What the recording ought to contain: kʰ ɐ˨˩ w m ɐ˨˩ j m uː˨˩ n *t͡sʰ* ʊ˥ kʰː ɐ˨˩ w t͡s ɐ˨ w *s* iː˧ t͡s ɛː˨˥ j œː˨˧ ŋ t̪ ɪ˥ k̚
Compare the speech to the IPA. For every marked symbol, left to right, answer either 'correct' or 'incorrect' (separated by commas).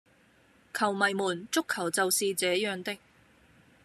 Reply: incorrect, correct